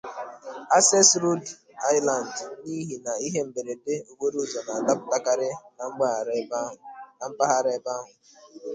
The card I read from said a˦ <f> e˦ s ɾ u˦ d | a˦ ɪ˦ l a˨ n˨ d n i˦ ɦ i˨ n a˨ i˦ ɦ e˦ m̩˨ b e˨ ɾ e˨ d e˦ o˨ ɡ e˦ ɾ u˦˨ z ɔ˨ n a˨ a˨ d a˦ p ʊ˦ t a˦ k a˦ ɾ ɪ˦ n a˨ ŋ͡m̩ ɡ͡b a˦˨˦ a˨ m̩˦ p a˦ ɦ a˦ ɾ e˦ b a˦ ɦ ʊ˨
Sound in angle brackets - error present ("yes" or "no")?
yes